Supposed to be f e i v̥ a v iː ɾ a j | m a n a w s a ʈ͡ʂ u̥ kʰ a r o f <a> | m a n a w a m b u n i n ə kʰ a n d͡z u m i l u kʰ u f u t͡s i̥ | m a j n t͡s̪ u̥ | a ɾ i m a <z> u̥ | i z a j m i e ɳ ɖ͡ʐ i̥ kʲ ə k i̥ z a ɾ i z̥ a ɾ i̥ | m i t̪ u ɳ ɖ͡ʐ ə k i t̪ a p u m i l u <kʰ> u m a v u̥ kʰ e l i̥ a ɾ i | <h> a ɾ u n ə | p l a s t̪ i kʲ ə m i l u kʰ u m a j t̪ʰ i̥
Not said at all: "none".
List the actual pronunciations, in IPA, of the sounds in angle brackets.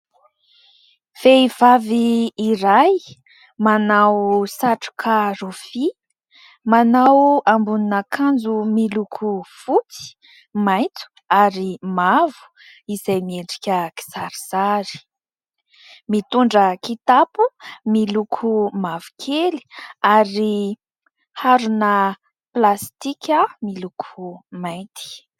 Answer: i, v, kʰ, h

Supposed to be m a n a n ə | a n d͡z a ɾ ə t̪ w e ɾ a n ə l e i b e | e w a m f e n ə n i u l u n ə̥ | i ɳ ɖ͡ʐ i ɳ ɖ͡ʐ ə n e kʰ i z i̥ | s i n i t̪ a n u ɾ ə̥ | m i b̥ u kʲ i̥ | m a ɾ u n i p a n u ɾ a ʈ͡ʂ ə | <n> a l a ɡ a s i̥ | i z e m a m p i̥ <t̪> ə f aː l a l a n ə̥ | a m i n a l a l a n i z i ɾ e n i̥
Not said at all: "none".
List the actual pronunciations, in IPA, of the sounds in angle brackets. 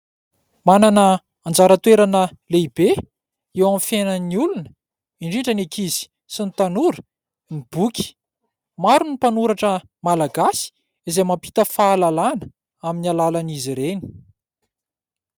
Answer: m, t̪

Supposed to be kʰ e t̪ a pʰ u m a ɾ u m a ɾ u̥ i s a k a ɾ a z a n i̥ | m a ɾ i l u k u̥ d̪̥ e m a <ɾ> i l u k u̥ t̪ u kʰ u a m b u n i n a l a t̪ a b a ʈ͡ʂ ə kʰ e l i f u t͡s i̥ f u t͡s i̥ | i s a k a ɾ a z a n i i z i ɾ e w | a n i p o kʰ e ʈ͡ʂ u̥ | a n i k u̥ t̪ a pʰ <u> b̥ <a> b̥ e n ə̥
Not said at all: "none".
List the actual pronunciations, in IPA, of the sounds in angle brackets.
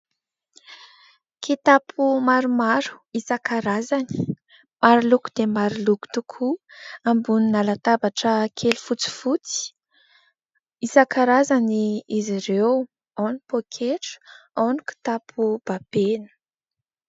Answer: ɾ, u, a

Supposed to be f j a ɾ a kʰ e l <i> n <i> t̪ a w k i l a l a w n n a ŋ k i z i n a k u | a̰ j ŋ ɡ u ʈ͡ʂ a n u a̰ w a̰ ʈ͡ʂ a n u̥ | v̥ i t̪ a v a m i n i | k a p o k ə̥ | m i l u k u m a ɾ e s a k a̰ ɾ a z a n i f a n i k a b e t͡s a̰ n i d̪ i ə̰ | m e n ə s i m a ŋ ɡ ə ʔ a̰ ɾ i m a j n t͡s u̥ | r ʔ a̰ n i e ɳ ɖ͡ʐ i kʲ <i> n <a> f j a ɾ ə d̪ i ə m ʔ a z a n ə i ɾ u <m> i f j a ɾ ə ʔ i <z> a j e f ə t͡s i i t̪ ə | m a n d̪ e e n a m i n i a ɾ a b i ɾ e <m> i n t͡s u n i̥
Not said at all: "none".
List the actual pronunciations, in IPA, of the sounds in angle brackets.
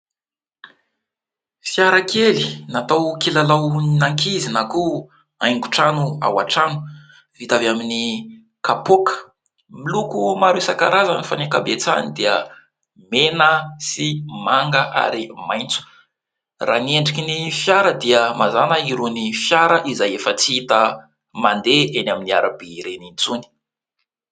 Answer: i, a, i, i, n, z, n

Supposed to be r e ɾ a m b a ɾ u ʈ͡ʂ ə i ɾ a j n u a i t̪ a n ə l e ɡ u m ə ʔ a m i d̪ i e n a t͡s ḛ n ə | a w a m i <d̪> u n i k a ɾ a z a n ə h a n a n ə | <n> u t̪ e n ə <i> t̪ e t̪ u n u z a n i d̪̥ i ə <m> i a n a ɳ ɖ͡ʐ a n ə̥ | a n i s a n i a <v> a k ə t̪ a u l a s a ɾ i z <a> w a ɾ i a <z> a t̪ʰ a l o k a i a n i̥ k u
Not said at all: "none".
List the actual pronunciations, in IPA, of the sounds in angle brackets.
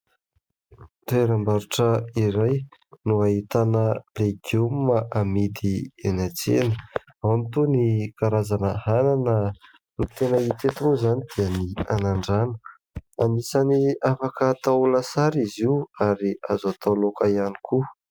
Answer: t̪, n, i, n, f, i, z

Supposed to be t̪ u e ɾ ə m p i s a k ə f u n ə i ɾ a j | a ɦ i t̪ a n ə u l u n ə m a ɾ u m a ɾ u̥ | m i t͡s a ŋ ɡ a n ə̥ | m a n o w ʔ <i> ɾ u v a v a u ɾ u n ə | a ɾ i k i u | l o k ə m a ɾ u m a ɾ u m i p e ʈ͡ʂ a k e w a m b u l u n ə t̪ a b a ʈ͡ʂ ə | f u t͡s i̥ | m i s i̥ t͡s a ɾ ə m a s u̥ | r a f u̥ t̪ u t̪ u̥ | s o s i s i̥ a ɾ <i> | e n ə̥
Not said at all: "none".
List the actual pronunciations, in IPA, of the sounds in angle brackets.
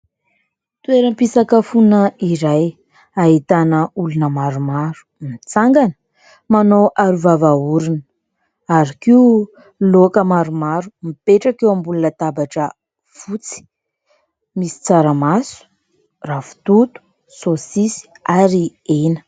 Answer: a, i

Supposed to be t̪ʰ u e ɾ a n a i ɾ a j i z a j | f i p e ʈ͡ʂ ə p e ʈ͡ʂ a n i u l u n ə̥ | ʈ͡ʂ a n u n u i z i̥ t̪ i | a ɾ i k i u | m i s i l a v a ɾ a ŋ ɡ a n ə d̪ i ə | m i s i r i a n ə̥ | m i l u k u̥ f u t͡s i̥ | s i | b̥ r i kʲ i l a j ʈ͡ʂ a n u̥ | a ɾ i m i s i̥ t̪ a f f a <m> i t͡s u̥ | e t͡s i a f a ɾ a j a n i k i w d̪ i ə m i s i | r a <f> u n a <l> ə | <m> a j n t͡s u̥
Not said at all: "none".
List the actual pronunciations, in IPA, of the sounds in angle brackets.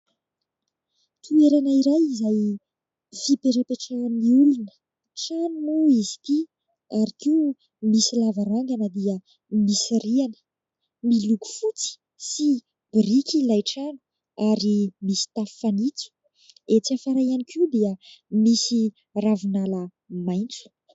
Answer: n, v, l, m

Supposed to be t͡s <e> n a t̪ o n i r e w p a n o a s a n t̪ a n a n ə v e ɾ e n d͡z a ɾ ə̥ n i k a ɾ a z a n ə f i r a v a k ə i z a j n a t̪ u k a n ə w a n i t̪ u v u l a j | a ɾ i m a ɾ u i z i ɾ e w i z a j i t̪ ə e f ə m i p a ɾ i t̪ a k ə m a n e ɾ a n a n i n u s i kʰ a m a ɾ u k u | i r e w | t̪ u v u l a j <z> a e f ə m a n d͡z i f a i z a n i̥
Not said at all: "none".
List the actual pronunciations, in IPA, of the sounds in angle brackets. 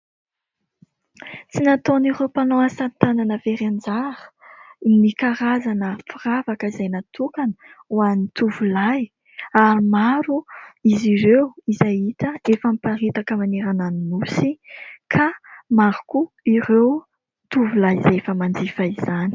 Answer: i, z

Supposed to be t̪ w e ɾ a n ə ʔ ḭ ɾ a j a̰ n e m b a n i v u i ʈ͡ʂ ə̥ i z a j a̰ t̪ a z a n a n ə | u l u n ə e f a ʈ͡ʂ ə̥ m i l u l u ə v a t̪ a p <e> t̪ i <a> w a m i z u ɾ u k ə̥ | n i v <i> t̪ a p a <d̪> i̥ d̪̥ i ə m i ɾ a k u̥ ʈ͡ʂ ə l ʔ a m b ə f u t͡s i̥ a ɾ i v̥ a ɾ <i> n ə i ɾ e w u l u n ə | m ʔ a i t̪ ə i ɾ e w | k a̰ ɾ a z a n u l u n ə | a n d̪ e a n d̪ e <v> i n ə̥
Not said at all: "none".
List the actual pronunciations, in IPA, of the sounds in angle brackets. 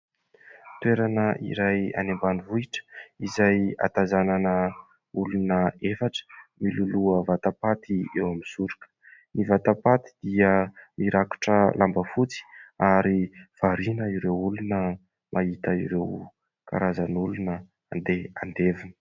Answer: a, e, a, t̪, i, v

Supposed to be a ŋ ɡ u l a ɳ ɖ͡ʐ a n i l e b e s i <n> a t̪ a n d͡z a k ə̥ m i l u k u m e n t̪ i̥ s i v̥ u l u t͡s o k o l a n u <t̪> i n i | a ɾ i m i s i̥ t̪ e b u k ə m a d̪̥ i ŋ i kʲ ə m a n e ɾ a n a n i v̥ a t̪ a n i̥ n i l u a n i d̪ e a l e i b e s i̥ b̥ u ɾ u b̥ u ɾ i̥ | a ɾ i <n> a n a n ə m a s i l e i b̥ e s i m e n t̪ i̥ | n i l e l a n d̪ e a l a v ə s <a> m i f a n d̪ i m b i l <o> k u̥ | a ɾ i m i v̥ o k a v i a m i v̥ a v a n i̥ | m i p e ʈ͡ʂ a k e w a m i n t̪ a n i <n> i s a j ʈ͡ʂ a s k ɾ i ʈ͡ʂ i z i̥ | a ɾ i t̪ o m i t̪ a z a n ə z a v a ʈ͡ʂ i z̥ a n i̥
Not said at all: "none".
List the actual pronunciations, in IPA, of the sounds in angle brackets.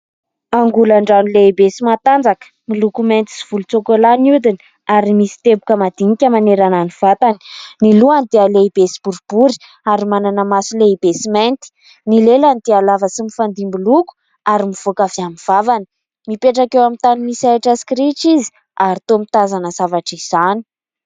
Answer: m, d̪, m, i, u, m

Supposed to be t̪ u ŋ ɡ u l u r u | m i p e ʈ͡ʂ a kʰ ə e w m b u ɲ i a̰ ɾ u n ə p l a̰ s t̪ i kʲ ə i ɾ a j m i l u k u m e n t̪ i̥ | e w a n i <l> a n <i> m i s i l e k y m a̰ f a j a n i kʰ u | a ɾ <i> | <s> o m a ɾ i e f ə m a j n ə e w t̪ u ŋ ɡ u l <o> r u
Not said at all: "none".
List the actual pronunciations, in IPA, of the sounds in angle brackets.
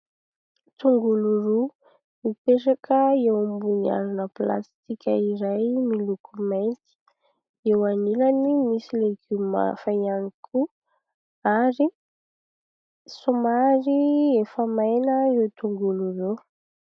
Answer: l, i, i, s, u

